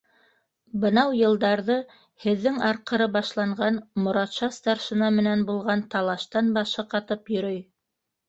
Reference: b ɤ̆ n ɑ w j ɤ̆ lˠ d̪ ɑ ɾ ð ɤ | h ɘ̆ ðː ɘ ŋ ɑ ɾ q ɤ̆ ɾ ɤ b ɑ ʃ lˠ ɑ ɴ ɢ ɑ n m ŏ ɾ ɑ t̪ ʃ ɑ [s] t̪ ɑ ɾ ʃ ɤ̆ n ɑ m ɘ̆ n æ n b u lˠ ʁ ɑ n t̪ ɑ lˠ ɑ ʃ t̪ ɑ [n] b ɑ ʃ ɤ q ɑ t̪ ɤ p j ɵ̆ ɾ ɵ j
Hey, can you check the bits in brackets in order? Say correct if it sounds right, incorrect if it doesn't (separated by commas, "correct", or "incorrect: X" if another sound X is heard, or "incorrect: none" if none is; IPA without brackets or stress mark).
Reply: correct, correct